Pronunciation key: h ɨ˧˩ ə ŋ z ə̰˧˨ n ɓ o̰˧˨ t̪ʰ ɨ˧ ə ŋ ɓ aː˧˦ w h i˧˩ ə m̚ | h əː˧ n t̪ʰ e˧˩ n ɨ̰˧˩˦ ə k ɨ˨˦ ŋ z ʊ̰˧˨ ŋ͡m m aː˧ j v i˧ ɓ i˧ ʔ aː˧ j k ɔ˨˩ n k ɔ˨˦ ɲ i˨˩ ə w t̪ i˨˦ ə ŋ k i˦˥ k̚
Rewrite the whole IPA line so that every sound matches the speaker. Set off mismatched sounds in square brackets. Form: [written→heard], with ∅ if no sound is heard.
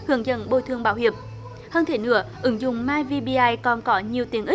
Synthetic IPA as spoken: h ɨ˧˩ ə ŋ z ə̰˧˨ n ɓ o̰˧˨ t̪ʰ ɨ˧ ə ŋ ɓ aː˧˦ w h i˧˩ ə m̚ | h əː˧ n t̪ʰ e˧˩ n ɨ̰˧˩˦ ə [k→ʔ] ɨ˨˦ ŋ z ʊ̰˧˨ ŋ͡m m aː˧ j v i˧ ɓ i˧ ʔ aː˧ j k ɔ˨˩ n k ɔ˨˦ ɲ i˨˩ ə w t̪ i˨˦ ə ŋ [k→ʔ] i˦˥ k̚